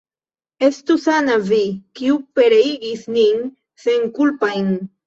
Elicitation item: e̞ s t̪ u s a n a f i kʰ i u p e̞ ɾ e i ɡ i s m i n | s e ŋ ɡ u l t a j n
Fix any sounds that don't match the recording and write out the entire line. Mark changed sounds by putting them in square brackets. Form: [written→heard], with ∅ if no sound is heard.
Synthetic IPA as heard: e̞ s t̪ u s a n a [f→v] i [kʰ→k] i u p e̞ ɾ e i ɡ i s [m→n] i n | s e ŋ [ɡ→k] u l [t→p] a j n